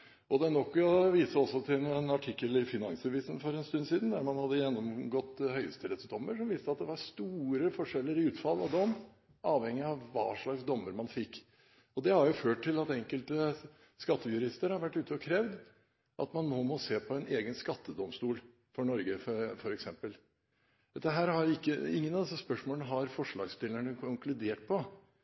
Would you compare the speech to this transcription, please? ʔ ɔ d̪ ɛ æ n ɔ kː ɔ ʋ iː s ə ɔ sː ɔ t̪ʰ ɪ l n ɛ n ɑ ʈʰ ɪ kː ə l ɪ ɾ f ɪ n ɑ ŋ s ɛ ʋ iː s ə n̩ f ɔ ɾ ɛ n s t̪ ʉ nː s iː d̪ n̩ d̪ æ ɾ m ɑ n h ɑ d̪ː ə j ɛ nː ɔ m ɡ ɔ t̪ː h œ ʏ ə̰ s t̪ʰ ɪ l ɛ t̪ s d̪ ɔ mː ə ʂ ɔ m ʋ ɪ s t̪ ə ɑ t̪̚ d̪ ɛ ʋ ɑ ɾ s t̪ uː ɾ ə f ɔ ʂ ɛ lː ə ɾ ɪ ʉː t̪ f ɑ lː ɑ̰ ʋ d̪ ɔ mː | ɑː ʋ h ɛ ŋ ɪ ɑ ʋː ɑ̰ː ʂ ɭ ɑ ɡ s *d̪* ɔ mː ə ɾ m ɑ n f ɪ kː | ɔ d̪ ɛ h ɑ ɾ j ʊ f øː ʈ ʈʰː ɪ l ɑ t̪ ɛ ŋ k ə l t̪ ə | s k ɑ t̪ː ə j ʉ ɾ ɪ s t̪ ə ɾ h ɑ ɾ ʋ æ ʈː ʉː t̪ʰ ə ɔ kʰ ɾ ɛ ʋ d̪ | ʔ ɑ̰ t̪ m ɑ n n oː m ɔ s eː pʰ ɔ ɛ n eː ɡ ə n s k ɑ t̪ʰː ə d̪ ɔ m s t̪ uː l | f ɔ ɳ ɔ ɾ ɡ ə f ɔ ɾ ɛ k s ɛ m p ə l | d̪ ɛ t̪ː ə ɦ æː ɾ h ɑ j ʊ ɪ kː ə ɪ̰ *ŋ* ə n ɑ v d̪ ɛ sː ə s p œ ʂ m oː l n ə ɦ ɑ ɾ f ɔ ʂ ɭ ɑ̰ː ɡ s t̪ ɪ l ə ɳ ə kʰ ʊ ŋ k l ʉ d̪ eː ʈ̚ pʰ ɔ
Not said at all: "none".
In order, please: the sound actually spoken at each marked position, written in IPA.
d̪, ŋː

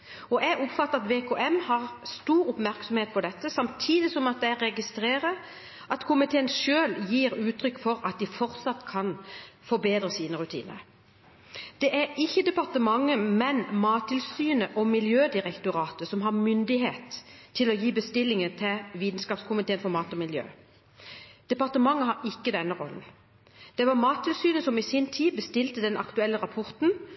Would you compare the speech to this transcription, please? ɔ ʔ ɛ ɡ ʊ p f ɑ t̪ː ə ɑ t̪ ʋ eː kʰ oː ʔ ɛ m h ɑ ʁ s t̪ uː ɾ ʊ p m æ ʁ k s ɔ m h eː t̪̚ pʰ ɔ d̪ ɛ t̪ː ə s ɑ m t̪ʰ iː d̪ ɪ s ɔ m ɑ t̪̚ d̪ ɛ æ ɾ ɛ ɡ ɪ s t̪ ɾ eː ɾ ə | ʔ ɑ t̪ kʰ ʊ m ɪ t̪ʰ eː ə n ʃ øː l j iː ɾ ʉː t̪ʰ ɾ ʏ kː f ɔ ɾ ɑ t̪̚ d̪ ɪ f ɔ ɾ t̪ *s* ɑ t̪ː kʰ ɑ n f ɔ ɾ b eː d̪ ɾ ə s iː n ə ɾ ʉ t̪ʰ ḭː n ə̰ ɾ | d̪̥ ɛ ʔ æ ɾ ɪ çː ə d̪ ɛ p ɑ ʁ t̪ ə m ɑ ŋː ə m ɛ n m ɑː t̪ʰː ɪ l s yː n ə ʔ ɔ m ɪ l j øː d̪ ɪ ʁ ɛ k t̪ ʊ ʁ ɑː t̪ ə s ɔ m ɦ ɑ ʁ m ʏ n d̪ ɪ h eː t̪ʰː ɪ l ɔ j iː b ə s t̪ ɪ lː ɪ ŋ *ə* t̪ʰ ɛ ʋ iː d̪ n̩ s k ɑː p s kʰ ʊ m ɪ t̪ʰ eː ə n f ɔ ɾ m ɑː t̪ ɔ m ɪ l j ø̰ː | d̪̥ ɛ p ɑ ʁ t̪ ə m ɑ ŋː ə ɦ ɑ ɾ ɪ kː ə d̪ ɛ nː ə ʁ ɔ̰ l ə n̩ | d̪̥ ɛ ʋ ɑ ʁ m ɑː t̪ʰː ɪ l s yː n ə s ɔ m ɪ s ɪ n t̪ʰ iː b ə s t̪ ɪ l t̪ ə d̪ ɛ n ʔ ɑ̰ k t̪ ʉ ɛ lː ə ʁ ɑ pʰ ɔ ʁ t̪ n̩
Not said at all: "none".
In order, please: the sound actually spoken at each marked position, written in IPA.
s, ə

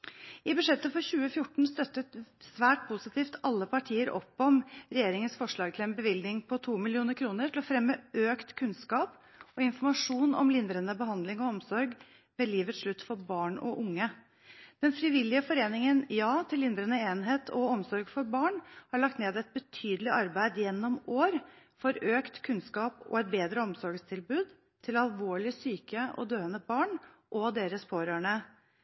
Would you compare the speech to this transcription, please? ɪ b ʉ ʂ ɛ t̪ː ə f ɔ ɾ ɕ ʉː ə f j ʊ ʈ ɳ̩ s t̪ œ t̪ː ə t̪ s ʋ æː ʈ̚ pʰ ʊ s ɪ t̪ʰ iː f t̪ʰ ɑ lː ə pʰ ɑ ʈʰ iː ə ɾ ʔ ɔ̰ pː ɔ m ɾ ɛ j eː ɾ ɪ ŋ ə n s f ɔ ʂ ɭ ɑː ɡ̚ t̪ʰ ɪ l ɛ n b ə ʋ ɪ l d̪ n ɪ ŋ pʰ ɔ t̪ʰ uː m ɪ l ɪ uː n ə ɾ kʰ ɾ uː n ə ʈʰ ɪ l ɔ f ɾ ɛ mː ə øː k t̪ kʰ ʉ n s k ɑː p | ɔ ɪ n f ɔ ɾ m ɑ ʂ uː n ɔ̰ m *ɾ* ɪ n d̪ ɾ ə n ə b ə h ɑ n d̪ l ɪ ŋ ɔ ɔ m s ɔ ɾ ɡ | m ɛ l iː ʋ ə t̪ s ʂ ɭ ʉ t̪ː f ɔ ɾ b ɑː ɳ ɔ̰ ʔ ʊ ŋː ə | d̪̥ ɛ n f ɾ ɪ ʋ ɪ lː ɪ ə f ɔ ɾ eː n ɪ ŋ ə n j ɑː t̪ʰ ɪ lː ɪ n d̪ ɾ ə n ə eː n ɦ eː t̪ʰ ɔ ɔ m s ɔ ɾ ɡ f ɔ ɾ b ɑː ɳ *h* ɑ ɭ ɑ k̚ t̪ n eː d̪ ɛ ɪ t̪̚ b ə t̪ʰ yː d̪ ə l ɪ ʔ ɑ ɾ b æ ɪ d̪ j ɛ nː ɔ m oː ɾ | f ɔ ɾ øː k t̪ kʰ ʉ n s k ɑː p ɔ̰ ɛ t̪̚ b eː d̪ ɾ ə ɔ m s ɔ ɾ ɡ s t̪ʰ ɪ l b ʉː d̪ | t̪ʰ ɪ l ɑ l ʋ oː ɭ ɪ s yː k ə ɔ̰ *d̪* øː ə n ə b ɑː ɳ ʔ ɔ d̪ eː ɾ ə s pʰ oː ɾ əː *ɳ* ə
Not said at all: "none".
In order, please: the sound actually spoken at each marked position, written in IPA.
l, h, d̪, ɳ

